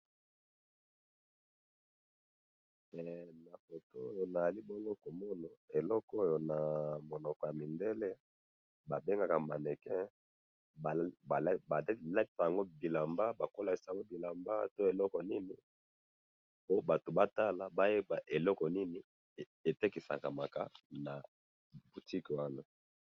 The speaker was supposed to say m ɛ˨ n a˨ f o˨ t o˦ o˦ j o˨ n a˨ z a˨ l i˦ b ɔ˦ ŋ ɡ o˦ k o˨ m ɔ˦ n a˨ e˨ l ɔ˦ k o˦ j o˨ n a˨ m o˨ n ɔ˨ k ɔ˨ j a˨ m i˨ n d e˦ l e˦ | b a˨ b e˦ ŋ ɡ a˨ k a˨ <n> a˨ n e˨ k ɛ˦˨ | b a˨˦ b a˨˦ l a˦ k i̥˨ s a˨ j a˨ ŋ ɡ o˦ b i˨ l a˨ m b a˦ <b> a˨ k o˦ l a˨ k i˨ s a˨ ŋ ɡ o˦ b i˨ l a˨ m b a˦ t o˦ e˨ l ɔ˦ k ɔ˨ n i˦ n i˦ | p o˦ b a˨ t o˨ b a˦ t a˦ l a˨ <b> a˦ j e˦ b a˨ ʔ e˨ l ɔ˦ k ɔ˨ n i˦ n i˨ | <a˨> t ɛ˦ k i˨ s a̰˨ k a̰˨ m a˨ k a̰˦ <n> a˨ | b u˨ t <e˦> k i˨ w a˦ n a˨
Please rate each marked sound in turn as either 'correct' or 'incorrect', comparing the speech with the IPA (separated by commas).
incorrect, correct, correct, incorrect, correct, incorrect